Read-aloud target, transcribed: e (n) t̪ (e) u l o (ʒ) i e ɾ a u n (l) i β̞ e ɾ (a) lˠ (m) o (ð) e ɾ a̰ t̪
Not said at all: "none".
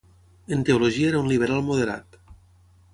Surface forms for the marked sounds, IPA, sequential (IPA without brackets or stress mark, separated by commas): n, e, ʒ, l, a, m, ð